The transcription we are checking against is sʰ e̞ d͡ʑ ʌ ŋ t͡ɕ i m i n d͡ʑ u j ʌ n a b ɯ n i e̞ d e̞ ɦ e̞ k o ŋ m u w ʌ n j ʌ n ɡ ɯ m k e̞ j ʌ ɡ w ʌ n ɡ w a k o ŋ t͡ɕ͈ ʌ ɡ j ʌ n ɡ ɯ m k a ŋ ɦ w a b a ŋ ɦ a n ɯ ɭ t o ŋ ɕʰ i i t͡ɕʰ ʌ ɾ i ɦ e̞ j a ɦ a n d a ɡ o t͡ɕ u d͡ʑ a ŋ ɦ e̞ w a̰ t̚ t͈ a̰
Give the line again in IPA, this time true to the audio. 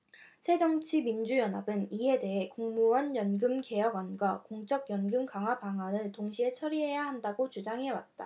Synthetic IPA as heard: sʰ e̞ d͡ʑ ʌ ŋ t͡ɕʰ i m i n d͡ʑ u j ʌ n a b ɯ n i e̞ d e̞ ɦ e̞ k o ŋ m u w ʌ n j ʌ n ɡ ɯ m k e̞ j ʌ ɡ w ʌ n ɡ w a k o ŋ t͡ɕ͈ ʌ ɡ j ʌ n ɡ ɯ m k a ŋ ɦ w a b a ŋ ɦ a n ɯ ɭ t o ŋ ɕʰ i e t͡ɕʰ ʌ ɾ i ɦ e̞ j a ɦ a n d a ɡ o t͡ɕ u d͡ʑ a ŋ ɦ e̞ w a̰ t̚ t͈ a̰